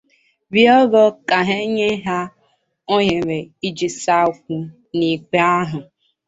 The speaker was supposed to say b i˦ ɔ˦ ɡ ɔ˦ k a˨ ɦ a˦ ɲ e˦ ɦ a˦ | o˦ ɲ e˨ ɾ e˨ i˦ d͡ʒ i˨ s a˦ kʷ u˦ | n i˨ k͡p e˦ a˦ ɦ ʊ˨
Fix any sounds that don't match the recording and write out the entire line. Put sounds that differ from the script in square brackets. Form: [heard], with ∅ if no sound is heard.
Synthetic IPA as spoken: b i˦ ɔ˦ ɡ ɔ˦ k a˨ ɦ [e˦] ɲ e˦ ɦ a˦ | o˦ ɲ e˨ ɾ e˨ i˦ d͡ʒ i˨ s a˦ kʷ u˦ | n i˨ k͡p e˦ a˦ ɦ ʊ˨

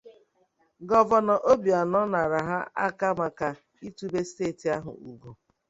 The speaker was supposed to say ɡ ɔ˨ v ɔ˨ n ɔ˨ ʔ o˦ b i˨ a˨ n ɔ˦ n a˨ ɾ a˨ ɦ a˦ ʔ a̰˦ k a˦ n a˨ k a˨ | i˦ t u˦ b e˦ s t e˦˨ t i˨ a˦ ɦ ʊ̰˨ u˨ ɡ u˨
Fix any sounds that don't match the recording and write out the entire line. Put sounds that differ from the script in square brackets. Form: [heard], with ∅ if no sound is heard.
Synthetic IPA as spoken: ɡ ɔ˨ v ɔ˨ n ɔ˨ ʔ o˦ b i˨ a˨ n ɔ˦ n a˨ ɾ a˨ ɦ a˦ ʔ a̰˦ k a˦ [m] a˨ k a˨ | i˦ t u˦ b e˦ s t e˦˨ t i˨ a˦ ɦ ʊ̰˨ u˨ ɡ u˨

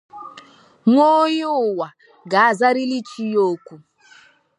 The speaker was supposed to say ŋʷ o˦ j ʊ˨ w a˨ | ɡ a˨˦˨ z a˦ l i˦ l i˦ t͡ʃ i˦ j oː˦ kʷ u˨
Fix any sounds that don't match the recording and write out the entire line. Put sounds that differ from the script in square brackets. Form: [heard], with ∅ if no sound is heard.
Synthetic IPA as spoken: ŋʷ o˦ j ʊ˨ w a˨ | ɡ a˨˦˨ z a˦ [ɾ] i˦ l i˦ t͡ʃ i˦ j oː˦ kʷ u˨

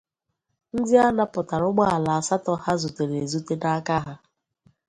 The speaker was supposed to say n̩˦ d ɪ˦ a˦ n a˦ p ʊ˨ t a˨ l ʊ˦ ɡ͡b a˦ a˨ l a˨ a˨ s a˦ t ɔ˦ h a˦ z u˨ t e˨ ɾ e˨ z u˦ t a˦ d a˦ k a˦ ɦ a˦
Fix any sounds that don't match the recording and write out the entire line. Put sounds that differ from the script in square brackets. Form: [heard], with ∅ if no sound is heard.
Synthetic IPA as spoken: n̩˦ d ɪ˦ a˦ n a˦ p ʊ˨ t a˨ [ɾ] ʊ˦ ɡ͡b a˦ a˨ l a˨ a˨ s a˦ t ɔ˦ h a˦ z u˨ t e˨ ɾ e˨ z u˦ t [e˦] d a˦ k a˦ ɦ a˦

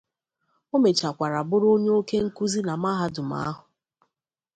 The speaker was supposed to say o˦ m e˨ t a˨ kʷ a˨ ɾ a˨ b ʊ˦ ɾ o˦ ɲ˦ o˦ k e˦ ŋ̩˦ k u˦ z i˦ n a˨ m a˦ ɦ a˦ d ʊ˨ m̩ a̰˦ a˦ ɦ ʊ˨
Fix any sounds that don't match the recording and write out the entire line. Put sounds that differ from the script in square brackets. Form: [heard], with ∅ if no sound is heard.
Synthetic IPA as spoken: o˦ m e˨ [t͡ʃ] a˨ kʷ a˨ ɾ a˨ b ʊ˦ ɾ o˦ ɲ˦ o˦ k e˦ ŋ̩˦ k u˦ z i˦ n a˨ m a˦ ɦ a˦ d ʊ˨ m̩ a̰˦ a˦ ɦ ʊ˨

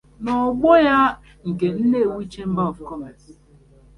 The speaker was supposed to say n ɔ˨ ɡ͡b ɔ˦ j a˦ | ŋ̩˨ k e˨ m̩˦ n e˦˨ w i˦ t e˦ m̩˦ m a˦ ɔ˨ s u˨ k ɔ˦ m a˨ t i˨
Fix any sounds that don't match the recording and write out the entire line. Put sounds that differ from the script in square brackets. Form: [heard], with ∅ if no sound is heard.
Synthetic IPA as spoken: n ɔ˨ ɡ͡b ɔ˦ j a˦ | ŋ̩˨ k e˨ [n̩˦] n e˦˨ w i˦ [t͡ʃ] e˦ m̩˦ [b] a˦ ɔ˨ [f] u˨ k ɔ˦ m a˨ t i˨

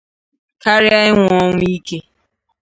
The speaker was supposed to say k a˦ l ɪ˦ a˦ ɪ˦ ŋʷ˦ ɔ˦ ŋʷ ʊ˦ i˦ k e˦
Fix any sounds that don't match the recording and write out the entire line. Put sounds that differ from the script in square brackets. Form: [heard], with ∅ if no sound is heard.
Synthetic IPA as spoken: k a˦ [ɾ] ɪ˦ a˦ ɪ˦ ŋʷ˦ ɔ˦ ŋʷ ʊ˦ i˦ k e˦

